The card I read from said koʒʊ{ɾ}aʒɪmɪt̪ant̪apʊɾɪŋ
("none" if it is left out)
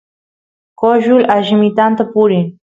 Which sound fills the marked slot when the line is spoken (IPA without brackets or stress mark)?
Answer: l